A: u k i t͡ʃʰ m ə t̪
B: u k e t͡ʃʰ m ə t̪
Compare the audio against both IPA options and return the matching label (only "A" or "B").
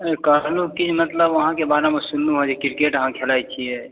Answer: A